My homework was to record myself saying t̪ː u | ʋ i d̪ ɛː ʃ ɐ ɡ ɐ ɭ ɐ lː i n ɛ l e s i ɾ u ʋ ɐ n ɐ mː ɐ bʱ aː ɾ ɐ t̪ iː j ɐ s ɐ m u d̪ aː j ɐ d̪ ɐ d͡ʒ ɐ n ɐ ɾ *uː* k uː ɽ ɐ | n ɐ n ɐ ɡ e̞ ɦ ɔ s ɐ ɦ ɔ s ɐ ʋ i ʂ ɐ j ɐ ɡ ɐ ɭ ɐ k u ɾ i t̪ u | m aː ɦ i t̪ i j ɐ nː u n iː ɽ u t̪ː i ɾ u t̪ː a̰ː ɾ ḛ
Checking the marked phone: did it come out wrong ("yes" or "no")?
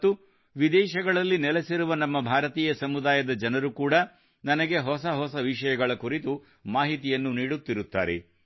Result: yes